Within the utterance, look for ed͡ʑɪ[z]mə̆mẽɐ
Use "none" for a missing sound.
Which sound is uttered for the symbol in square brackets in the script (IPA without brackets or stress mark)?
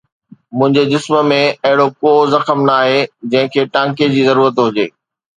s